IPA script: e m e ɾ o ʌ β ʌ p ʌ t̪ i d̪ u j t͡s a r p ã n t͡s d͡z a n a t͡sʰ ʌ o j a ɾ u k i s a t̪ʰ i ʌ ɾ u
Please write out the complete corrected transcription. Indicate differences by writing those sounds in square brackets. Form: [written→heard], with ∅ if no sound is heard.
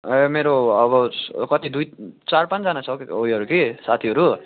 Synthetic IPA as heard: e m e ɾ o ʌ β ʌ [p→k] ʌ t̪ i d̪ u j t͡s a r p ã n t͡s d͡z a n a t͡sʰ ʌ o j [a→ʌ] ɾ u k i s a t̪ʰ i ʌ ɾ u